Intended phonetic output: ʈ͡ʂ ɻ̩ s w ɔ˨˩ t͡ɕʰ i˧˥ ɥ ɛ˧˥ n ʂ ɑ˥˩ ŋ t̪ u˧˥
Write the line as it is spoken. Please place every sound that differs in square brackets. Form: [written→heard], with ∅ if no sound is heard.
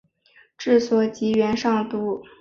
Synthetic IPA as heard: ʈ͡ʂ ɻ̩ s w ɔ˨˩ [t͡ɕʰ→t͡ɕ] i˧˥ ɥ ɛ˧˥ n ʂ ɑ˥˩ ŋ t̪ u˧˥